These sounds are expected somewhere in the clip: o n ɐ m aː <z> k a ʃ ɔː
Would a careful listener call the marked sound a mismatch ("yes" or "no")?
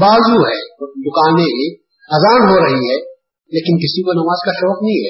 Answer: no